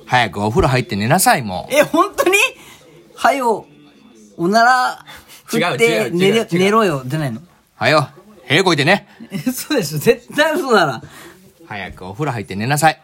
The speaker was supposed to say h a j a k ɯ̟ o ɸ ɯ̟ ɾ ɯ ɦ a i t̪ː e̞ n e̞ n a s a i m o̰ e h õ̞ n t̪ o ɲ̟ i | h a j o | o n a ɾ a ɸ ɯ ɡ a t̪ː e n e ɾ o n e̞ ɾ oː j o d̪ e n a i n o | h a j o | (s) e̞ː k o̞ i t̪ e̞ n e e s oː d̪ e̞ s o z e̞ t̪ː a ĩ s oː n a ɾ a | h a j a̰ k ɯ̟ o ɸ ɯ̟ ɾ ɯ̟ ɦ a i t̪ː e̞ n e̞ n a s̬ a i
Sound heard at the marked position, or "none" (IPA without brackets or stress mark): h